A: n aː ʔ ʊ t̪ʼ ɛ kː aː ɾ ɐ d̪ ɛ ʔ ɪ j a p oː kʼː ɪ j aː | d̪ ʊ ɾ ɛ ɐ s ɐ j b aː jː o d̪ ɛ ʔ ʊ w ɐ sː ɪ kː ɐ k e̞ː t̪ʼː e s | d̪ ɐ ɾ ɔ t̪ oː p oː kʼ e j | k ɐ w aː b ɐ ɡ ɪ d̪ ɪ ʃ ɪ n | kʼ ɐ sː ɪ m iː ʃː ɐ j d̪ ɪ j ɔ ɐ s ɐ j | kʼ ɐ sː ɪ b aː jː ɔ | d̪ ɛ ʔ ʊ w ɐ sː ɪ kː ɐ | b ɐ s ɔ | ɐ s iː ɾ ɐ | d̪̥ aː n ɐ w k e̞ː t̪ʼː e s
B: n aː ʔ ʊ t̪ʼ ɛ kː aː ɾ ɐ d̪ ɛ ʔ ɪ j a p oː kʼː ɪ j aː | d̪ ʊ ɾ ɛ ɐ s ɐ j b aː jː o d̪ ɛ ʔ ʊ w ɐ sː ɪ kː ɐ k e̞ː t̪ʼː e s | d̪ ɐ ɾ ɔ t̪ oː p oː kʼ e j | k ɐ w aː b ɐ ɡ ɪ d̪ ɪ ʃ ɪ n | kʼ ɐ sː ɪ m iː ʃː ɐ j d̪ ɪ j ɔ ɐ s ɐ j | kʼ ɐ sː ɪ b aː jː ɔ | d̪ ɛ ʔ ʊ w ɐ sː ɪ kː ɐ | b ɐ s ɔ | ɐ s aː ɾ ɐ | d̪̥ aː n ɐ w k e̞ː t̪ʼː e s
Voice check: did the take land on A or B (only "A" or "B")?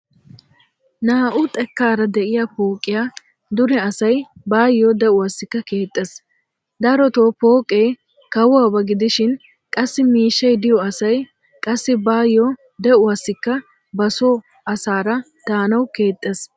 B